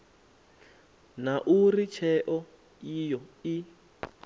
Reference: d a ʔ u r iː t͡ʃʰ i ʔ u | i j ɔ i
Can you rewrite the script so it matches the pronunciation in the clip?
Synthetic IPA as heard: n a ʔ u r i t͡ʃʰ ɛ ʔ ɔ | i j ɔ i

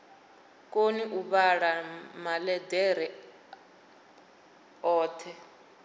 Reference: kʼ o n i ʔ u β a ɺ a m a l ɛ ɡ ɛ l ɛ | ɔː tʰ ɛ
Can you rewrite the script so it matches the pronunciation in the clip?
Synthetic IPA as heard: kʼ o n i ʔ u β a ɺ a m a l ɛ d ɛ ɾ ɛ | ɔː tʰ ɛ

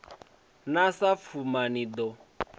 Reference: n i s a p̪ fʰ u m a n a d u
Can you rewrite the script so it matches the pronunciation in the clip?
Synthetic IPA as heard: n a s a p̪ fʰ u m a n i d ɔ

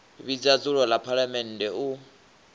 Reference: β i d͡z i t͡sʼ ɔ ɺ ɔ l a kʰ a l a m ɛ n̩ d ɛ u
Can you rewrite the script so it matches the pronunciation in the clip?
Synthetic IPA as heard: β i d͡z a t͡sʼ u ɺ ɔ l a pʰ a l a m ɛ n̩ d ɛ u

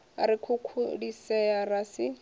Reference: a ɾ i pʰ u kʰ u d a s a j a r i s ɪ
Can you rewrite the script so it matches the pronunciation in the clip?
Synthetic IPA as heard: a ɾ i kʰ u kʰ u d i s ɛ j a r a s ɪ

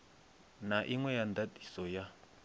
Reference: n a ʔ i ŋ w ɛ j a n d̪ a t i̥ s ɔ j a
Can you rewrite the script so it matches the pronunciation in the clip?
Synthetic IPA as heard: n a ʔ i ŋ w ɛ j a n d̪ a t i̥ s ɔ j a

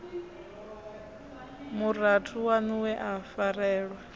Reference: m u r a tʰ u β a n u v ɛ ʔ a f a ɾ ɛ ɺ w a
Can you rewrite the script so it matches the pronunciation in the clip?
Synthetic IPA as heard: m u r a tʰ u w a n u w ɛ ʔ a f a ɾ ɛː ɺ w a

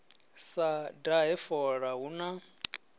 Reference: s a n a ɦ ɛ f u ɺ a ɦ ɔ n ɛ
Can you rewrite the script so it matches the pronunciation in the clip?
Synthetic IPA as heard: s a d a ɦ ɛ f ɔ ɺ a ɦ u n a

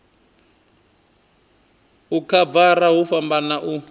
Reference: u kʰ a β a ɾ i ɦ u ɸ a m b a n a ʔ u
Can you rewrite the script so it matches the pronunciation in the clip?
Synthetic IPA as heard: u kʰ a v a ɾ a ɦ u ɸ a m b a n a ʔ u

